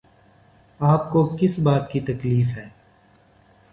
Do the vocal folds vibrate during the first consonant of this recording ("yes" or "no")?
no